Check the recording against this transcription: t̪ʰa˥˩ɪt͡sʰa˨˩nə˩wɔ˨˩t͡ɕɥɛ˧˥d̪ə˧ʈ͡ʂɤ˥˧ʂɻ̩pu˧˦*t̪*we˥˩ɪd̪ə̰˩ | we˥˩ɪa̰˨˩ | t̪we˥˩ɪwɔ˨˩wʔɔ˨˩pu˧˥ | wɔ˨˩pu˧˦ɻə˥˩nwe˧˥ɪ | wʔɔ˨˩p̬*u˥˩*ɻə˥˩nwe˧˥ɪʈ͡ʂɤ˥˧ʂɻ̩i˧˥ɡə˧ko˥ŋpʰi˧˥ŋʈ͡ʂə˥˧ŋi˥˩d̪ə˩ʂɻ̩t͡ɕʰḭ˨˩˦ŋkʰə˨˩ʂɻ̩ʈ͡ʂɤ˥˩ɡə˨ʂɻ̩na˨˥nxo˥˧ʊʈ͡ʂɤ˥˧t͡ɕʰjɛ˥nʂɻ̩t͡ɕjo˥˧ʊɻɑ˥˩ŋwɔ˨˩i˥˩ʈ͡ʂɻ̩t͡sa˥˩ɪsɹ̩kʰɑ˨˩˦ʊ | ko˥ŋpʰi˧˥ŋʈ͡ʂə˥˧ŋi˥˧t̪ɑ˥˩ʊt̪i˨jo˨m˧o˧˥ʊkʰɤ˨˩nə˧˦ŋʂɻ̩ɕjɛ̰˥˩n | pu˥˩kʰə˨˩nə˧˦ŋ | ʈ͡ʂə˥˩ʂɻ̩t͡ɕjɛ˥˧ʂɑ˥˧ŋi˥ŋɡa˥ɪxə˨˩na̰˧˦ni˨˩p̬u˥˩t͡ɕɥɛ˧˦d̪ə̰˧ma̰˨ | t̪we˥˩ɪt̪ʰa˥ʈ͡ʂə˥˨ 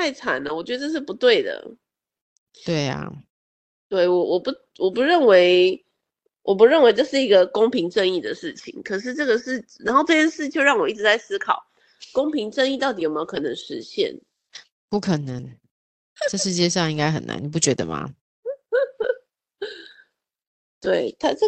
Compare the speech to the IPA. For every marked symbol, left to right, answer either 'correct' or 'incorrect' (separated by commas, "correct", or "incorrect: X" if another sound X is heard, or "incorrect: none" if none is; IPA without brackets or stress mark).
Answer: correct, incorrect: u˧˦